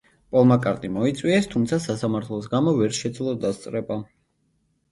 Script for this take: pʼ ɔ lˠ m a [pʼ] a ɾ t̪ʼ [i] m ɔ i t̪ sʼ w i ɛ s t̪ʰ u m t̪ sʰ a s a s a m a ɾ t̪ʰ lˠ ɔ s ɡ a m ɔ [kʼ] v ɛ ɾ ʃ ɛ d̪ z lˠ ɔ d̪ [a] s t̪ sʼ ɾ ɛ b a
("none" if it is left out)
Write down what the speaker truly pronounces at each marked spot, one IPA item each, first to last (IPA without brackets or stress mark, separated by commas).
kʼ, i, none, a